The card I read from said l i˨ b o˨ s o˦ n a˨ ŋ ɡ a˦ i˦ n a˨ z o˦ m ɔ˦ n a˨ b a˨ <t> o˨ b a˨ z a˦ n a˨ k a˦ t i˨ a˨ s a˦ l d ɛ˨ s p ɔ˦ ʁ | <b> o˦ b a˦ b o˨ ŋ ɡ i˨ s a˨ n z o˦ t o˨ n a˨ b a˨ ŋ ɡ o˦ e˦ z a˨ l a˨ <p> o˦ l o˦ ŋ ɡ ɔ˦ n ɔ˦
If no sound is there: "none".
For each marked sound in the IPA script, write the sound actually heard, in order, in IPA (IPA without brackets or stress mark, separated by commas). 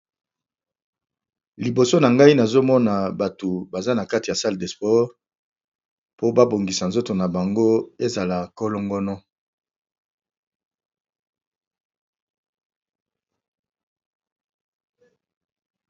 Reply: t, p, k